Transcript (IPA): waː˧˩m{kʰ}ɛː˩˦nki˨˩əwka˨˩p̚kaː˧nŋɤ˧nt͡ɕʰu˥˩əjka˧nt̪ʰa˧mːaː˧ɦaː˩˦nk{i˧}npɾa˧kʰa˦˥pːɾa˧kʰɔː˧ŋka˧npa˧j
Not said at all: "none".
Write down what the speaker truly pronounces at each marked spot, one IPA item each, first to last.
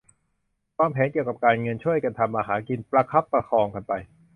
pʰ, i˧

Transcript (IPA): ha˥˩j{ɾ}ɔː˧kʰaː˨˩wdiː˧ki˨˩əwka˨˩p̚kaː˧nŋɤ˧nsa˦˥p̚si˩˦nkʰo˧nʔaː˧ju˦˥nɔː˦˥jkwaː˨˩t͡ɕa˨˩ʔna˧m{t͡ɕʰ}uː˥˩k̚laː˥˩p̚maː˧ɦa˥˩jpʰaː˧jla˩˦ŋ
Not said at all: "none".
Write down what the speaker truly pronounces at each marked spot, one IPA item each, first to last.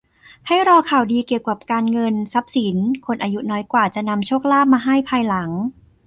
ɾ, t͡ɕʰ

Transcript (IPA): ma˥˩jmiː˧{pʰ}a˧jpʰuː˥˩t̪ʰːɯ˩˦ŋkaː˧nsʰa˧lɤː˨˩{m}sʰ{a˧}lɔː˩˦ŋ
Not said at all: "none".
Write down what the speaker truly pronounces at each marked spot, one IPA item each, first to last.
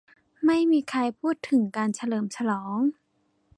kʰ, m, a˧

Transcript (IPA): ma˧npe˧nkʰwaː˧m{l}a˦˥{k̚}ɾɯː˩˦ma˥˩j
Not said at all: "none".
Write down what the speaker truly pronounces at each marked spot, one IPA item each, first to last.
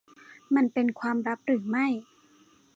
ɾ, p̚

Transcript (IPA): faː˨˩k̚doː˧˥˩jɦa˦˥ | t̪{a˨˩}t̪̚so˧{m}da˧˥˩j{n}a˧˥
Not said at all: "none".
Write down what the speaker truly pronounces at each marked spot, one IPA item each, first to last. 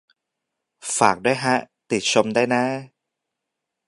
i˨˩, m, n

